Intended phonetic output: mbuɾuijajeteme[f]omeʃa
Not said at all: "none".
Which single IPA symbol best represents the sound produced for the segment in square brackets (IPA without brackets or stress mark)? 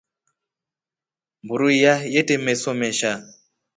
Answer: s